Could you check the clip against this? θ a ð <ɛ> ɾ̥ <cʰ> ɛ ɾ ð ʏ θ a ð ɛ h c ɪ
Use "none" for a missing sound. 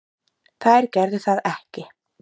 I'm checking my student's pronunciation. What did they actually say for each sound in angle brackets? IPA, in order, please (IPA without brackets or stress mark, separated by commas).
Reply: ɛ, c